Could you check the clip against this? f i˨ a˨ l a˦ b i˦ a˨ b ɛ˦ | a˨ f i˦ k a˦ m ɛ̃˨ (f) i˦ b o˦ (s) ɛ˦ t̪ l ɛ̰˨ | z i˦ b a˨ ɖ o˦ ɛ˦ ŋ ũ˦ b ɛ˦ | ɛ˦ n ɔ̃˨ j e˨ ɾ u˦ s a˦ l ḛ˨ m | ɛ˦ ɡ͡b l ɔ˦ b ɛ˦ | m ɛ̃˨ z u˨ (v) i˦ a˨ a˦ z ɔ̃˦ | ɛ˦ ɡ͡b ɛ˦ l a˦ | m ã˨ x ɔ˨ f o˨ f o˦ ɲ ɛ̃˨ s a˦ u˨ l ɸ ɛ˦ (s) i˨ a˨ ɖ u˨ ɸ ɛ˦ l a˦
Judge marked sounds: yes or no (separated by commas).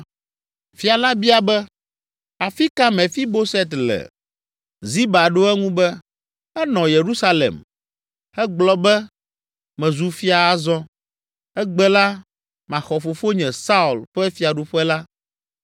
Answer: yes, yes, no, no